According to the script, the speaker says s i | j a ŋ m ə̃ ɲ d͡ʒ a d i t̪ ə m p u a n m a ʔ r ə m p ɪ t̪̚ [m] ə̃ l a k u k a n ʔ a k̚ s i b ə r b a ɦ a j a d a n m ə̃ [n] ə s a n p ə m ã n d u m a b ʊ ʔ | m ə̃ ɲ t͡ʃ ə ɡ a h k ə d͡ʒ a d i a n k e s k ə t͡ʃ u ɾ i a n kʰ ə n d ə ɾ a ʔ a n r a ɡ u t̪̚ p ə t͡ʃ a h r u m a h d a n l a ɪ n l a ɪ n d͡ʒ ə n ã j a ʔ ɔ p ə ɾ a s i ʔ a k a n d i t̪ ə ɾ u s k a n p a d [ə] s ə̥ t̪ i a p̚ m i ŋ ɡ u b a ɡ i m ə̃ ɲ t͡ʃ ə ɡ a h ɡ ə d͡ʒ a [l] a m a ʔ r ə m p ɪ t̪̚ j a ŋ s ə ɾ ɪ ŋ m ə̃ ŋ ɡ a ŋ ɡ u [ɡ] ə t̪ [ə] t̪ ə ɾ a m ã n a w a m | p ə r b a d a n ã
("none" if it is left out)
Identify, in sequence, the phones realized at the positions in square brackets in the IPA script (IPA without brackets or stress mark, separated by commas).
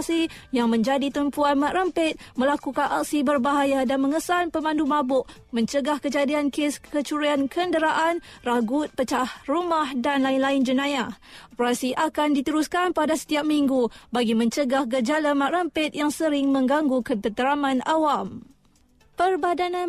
m, ŋ, a, l, k, ə